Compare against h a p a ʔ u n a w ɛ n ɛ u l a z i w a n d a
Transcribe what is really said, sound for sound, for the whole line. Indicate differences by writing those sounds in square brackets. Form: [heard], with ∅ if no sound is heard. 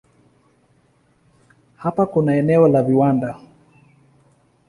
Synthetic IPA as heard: h a p a [k] u n a [∅] ɛ n ɛ [ɔ] l a [v] i w a n d a